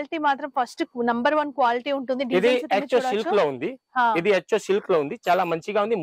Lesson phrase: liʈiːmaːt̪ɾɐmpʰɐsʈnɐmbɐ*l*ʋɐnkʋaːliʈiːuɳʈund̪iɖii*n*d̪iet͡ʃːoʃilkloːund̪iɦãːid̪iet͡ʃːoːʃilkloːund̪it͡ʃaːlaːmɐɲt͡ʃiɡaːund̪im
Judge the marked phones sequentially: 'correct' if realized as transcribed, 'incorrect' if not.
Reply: incorrect, incorrect

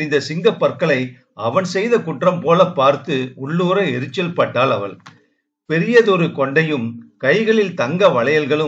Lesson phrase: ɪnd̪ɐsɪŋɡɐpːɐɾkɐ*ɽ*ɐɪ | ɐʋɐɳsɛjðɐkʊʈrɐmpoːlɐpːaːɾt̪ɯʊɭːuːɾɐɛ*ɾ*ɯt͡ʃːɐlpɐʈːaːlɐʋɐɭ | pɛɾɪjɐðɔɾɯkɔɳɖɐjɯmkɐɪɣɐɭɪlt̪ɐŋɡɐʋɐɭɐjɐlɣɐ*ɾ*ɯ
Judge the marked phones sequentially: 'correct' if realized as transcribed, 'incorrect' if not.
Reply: incorrect, correct, incorrect

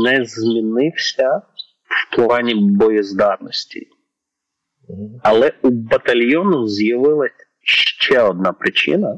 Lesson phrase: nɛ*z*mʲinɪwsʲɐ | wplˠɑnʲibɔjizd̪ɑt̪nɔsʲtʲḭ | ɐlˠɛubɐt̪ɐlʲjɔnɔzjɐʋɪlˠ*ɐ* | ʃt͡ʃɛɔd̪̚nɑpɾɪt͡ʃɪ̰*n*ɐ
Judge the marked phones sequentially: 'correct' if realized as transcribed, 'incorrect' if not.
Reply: correct, correct, correct

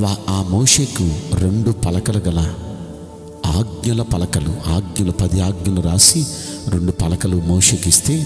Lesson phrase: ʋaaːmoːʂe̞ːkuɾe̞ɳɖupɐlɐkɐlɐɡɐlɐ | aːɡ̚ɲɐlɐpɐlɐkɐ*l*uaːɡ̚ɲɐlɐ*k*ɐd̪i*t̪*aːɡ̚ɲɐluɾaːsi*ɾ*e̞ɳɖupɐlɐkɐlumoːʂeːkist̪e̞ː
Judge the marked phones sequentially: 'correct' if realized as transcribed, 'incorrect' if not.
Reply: correct, incorrect, incorrect, correct

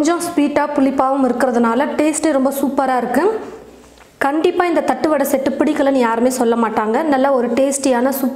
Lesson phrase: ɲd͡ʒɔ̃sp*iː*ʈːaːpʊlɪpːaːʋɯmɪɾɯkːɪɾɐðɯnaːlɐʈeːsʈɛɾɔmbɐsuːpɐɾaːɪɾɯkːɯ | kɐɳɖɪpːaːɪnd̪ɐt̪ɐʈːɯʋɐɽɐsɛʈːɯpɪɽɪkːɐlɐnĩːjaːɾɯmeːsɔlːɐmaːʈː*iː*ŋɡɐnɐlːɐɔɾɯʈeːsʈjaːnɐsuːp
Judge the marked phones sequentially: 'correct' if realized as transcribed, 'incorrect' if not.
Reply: correct, incorrect

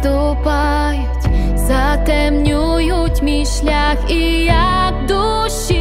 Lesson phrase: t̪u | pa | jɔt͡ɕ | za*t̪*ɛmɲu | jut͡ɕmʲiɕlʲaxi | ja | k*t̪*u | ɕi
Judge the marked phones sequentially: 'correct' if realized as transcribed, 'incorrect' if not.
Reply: correct, incorrect

